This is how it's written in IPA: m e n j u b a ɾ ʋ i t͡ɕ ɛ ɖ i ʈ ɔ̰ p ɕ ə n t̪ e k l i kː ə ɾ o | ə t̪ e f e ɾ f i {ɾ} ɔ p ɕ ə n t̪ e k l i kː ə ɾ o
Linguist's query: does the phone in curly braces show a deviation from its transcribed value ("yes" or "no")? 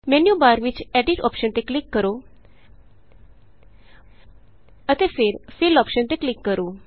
yes